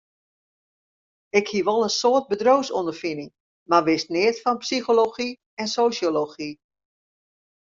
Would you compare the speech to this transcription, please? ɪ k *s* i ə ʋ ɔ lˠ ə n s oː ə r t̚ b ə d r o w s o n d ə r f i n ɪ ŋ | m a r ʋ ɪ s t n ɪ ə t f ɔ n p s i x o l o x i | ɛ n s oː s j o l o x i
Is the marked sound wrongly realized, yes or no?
yes